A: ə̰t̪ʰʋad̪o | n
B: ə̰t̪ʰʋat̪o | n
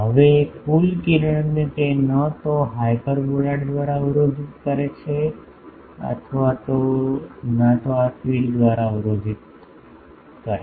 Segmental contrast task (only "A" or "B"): B